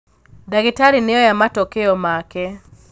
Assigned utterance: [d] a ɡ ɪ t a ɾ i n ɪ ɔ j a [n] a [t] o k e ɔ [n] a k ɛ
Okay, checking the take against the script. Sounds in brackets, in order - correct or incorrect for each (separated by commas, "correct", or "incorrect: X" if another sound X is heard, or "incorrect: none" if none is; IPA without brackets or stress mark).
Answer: correct, incorrect: m, correct, incorrect: m